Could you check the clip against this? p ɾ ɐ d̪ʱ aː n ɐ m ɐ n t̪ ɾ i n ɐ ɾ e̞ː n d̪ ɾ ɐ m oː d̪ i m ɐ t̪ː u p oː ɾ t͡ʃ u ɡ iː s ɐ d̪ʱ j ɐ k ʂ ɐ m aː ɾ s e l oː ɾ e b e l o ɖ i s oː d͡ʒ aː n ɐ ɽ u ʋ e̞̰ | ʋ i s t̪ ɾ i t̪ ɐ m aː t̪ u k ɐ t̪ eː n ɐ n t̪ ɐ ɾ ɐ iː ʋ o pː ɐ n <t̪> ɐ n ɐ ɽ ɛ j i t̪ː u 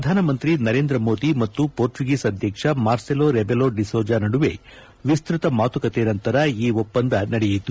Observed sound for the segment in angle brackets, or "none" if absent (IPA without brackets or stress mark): d̪